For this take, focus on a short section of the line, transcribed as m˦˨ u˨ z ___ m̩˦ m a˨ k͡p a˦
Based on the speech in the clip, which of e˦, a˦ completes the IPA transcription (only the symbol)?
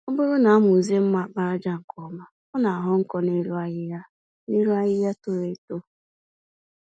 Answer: e˦